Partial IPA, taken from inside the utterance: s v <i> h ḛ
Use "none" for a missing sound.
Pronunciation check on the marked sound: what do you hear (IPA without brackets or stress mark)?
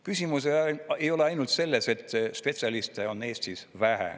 æ